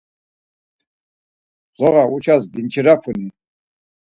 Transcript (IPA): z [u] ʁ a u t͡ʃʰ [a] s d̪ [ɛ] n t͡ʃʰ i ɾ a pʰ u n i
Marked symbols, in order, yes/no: no, yes, no

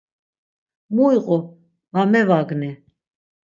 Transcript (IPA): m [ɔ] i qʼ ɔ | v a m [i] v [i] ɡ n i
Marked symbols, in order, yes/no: no, no, no

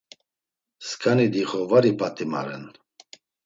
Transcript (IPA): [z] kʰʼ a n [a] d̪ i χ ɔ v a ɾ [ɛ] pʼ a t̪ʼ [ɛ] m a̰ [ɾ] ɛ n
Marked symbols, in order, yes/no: no, no, no, no, yes

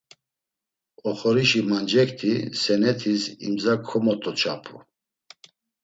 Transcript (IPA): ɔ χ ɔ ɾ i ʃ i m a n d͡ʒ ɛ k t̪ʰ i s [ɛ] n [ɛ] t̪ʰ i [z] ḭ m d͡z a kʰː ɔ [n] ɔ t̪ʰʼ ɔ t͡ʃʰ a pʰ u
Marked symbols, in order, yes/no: yes, yes, no, no

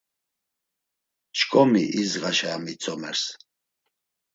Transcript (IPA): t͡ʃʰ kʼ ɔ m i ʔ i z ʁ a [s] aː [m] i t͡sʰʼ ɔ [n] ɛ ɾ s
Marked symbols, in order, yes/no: no, yes, no

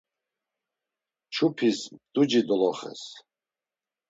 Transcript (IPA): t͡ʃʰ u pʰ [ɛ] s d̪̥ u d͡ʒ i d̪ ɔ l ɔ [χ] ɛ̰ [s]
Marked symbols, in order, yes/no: no, yes, yes

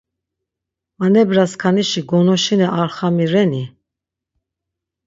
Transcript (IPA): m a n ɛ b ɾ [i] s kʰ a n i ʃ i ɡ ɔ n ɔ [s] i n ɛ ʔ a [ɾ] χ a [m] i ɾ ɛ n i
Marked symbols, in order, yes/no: no, no, yes, yes

